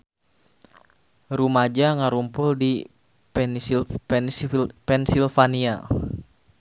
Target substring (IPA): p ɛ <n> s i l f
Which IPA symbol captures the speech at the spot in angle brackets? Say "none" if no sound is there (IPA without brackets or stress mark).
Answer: n